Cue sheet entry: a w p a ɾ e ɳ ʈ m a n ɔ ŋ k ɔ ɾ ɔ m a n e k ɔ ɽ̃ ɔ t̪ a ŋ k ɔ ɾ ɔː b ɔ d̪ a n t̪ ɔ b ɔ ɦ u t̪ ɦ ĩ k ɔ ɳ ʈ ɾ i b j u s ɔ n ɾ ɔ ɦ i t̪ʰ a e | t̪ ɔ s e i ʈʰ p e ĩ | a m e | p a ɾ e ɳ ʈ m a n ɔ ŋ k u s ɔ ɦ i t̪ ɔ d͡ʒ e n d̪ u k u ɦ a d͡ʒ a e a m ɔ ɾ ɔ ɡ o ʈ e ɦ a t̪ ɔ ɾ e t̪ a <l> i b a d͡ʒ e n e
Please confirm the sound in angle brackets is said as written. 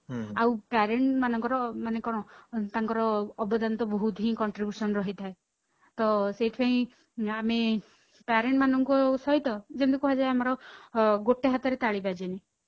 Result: no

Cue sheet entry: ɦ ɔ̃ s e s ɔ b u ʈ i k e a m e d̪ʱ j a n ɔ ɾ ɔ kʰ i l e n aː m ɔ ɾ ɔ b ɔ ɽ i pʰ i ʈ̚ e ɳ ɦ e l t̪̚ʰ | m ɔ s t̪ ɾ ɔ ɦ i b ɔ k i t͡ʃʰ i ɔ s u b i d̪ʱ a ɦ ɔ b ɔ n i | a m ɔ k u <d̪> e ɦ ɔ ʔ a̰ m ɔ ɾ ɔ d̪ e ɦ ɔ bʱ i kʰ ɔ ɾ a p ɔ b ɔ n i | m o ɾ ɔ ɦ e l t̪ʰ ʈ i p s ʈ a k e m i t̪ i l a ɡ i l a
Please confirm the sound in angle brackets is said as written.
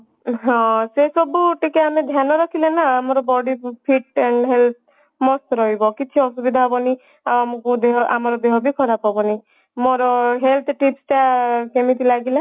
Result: yes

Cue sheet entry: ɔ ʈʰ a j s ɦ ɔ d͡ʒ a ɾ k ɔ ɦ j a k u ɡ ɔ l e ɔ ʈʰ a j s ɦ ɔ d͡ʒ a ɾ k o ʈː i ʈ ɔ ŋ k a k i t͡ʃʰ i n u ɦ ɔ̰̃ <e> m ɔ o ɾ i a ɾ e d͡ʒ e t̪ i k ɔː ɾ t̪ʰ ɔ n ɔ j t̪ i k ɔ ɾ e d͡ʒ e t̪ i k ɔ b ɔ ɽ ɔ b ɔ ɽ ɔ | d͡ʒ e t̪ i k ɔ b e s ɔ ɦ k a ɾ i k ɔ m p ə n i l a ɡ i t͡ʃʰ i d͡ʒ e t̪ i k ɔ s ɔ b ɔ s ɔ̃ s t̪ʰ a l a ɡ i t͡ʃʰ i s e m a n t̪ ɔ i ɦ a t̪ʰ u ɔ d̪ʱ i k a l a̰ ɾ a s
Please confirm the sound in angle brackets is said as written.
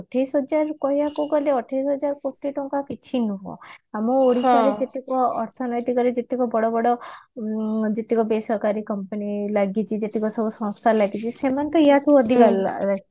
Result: no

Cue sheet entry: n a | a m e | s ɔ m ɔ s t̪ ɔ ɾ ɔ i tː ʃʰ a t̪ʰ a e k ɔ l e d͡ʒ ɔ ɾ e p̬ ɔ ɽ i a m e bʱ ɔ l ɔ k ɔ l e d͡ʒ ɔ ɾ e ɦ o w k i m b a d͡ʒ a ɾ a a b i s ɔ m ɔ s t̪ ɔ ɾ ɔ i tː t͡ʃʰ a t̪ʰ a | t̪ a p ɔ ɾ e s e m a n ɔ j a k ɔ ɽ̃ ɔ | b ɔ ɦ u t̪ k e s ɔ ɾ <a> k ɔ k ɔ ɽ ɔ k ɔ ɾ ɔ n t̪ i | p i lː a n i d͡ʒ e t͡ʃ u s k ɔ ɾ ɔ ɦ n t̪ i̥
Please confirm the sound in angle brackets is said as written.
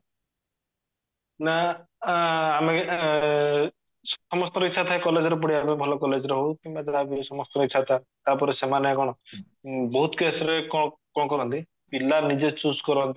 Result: no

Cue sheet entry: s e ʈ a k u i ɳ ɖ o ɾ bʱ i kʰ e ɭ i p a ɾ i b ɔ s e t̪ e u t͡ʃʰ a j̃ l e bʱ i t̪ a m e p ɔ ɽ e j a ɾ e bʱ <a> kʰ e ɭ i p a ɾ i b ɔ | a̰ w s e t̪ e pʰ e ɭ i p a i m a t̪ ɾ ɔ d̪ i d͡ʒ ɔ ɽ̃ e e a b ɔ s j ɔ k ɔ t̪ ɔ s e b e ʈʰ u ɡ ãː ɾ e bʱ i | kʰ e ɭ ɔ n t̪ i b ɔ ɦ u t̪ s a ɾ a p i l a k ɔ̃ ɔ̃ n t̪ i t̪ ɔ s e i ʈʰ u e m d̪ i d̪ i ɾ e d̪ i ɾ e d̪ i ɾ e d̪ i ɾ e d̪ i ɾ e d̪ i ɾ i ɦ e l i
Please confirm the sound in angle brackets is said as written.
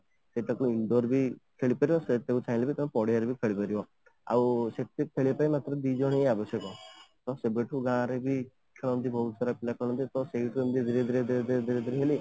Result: no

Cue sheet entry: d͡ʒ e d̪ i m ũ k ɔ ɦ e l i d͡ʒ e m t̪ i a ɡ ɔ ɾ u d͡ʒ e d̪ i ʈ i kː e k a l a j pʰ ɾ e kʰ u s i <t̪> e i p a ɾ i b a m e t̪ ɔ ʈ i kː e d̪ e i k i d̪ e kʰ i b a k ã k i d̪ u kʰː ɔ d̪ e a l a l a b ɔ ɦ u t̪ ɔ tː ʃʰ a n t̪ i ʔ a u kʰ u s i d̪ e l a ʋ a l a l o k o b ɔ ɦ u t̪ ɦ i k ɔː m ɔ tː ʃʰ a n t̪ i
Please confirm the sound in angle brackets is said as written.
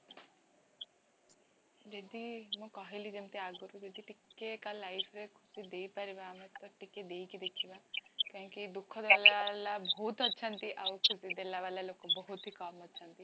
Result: no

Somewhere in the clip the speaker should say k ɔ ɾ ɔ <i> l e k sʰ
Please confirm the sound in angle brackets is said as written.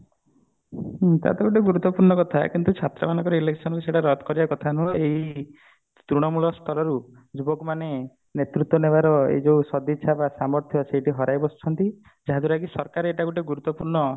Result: yes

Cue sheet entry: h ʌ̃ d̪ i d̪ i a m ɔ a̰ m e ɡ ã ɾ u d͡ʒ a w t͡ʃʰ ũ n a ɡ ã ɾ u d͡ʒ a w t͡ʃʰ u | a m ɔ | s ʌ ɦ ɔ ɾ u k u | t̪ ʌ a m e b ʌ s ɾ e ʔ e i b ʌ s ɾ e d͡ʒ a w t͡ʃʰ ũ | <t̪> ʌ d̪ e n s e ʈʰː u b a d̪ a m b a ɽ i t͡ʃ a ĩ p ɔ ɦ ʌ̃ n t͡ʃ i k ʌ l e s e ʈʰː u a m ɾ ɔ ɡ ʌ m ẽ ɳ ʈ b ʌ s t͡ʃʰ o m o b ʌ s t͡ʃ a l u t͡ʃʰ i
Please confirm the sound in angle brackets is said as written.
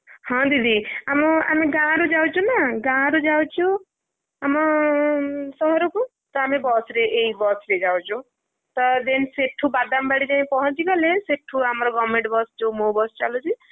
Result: yes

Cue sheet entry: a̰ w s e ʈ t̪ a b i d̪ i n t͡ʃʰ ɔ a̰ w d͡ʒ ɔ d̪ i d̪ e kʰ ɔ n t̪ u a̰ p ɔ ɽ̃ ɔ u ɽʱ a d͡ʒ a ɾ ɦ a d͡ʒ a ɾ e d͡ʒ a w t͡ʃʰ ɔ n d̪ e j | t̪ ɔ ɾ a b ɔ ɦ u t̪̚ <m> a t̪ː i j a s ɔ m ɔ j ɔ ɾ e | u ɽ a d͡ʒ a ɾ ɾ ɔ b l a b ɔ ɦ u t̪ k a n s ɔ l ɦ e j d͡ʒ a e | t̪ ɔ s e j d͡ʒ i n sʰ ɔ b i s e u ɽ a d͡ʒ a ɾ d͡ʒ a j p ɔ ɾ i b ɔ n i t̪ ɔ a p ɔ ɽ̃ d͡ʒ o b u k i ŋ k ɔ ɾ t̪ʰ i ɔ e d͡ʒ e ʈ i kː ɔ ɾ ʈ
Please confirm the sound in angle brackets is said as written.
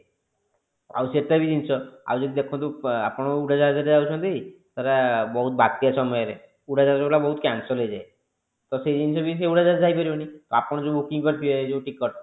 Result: no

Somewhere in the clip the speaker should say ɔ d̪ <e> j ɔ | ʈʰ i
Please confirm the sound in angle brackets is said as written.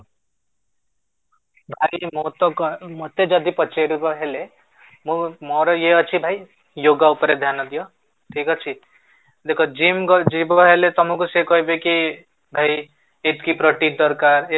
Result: no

